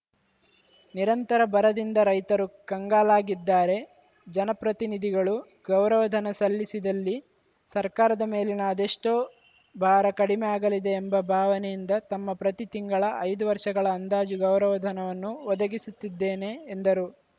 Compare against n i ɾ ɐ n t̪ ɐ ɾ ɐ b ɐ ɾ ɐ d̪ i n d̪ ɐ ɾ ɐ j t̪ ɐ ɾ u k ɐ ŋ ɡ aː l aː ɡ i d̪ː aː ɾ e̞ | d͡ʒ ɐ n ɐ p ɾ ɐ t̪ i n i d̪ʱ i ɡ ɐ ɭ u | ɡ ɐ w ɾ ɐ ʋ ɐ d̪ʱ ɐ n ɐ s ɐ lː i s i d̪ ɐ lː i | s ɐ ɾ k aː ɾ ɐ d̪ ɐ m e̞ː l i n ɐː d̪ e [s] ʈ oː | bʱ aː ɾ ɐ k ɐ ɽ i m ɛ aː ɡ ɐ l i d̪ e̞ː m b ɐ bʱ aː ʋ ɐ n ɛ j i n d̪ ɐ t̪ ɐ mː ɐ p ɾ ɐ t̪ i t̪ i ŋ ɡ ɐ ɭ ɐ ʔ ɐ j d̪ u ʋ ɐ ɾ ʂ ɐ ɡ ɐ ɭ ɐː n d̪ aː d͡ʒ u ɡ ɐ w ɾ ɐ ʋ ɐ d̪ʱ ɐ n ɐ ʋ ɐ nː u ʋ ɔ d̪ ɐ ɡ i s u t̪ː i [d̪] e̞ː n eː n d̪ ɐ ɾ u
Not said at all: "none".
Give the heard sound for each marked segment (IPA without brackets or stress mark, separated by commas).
ʂ, d̪ː